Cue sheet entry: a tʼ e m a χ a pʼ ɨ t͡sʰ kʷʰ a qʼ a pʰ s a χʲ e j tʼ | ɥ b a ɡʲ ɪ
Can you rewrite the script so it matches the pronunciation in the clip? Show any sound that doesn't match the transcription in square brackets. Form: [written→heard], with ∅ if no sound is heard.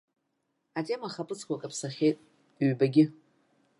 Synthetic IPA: a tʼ e m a χ a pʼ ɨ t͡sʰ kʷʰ a [qʼ→kʼ] a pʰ s a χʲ e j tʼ | ɥ b a ɡʲ ɪ

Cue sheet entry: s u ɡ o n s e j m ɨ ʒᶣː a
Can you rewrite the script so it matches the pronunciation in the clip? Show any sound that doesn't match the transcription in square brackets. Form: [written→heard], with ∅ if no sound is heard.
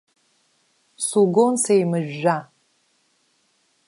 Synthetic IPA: s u ɡ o n s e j m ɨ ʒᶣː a

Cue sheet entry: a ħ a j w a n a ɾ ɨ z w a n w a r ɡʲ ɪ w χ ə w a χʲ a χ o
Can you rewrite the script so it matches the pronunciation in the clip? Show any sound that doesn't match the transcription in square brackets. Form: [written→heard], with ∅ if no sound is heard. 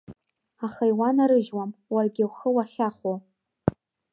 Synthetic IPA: a [ħ→χ] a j w a n a ɾ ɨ [z→ʒ] w a [n→m] w a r ɡʲ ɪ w χ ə w a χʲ a χ o

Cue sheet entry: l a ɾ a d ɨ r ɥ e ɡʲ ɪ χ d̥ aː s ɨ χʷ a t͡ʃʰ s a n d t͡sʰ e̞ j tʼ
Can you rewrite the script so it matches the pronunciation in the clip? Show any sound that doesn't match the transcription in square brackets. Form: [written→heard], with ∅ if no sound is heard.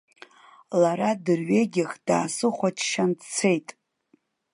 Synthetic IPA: l a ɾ a d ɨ r ɥ e ɡʲ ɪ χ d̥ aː s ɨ χʷ a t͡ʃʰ [s→ʃ] a n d t͡sʰ e̞ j tʼ

